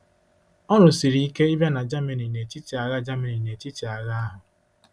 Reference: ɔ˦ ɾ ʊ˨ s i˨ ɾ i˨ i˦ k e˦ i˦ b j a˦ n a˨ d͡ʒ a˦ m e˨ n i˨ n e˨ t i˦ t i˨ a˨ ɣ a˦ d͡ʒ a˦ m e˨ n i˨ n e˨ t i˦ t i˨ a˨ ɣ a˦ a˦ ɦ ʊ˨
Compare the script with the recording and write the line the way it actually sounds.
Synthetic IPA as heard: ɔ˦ ɾ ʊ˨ s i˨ ɾ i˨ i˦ k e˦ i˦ b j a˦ n a˨ d͡ʒ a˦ m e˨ n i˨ n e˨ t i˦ t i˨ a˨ ɣ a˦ d͡ʒ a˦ m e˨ n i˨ n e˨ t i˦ t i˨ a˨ ɣ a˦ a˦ ɦ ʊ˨